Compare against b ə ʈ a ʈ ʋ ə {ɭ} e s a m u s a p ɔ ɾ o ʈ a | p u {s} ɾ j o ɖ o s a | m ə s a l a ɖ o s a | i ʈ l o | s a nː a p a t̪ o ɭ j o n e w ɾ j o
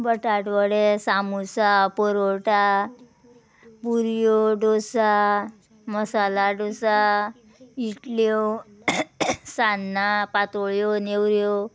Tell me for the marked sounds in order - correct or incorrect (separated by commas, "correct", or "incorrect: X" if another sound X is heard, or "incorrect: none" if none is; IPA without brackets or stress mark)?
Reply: incorrect: ɽ, incorrect: none